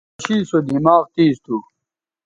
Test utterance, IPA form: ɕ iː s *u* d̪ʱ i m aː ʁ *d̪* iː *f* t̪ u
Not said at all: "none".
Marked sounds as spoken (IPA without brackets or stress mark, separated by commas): o, t̪, s